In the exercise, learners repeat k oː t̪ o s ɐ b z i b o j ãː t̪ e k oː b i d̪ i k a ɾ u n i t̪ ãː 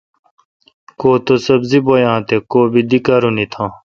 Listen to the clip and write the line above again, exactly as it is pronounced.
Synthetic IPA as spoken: k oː t̪ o s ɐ b z i b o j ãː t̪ e k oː b i d̪ i k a ɾ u n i t̪ʰ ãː